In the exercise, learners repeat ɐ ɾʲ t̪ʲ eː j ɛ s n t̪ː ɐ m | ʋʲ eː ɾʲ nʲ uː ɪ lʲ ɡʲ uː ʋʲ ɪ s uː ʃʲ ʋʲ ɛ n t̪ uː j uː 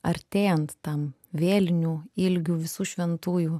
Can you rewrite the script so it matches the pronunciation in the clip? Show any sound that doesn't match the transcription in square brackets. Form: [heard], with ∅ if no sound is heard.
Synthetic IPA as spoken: ɐ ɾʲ t̪ʲ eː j ɛ [∅] n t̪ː ɐ m | ʋʲ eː [lʲ] nʲ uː ɪ lʲ ɡʲ uː ʋʲ ɪ s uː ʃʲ ʋʲ ɛ n t̪ uː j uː